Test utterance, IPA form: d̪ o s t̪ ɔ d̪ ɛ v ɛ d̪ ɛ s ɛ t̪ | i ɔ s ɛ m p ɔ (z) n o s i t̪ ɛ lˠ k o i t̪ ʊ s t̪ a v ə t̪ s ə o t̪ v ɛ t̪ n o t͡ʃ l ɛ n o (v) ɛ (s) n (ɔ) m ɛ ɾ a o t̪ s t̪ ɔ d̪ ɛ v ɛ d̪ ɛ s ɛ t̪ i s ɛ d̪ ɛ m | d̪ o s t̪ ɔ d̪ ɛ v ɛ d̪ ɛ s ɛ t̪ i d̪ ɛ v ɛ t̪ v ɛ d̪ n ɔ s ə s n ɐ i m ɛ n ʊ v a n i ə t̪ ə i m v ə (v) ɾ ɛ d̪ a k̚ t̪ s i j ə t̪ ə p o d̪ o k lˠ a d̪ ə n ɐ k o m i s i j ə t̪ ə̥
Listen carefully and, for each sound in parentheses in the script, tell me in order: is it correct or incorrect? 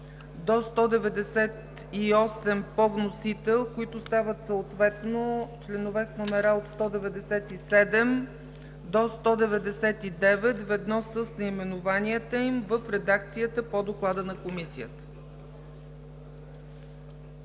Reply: incorrect, correct, correct, incorrect, incorrect

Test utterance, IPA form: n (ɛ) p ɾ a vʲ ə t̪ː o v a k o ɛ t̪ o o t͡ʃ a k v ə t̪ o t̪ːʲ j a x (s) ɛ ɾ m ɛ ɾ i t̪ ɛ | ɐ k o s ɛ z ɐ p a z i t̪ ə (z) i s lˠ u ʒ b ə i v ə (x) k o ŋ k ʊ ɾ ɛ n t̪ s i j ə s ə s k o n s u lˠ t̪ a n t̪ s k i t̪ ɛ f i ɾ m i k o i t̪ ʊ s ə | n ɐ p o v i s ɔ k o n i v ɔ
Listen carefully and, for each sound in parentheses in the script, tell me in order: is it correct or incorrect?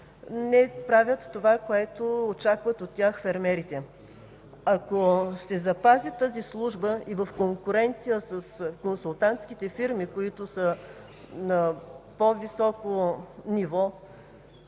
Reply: correct, incorrect, correct, incorrect

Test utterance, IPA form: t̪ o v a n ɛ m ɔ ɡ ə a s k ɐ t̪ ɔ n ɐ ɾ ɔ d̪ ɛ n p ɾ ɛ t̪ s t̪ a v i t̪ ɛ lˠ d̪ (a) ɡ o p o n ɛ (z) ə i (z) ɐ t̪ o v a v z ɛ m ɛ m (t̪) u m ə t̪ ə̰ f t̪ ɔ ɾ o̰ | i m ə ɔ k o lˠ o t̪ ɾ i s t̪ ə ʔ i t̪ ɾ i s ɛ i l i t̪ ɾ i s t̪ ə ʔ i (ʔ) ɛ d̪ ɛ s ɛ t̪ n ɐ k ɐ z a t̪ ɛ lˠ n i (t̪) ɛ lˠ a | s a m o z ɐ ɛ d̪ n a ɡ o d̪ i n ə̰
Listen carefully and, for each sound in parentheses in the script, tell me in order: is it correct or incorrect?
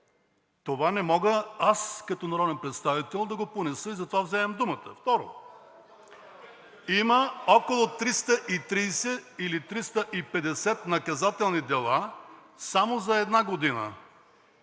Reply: incorrect, incorrect, correct, incorrect, incorrect, incorrect

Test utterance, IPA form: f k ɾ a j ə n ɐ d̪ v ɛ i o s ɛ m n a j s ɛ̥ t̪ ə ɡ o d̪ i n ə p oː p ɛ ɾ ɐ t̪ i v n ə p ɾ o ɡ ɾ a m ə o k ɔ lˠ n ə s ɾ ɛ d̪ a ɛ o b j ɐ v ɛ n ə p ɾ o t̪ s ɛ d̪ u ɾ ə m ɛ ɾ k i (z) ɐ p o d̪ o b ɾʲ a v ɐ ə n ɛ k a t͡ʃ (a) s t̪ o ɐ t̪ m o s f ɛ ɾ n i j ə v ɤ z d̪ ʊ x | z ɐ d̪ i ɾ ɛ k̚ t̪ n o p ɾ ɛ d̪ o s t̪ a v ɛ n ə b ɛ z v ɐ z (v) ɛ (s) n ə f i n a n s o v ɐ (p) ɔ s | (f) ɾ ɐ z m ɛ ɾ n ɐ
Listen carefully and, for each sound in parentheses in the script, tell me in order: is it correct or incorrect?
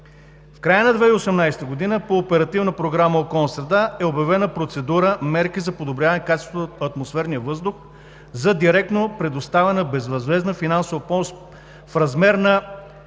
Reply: correct, incorrect, correct, incorrect, correct, correct

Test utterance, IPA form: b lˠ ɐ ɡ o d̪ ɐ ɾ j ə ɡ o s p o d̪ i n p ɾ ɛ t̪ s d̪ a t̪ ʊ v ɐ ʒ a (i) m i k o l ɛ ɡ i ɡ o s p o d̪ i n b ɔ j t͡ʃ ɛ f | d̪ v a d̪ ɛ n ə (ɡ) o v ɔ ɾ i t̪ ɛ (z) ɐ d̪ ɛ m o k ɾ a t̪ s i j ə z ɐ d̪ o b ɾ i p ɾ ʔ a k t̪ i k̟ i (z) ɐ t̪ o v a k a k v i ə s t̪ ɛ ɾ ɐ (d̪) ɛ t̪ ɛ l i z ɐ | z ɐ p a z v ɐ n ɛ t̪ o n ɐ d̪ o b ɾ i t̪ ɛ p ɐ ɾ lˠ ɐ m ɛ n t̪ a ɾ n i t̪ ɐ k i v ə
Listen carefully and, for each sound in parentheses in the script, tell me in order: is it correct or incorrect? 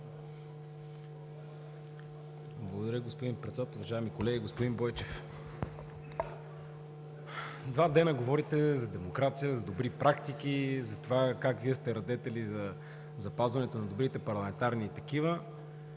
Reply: incorrect, correct, correct, correct, correct

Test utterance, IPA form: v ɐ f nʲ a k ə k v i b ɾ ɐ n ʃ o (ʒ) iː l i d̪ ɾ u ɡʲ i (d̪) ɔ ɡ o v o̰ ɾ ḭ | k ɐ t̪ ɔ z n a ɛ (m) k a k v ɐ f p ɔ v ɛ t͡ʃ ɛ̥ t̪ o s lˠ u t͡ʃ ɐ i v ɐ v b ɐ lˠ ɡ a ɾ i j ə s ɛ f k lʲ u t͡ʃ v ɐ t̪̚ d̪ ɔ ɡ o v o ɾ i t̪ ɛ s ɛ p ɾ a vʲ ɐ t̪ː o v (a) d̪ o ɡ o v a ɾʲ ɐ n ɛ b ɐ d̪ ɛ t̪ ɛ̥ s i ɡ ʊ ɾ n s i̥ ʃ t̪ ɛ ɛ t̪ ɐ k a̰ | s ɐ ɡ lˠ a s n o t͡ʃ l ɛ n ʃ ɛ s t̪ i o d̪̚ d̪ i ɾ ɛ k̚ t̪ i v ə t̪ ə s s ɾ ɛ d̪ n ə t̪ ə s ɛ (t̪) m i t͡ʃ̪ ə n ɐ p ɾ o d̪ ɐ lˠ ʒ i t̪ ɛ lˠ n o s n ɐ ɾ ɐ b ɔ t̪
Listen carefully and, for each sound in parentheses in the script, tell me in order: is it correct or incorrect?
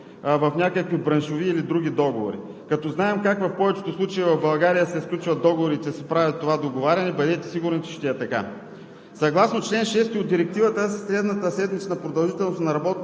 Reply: incorrect, correct, correct, correct, incorrect

